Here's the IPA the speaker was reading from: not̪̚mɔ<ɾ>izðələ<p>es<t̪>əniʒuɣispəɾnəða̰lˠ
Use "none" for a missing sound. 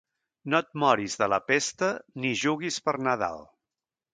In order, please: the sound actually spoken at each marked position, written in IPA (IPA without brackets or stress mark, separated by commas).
ɾ, p, t̪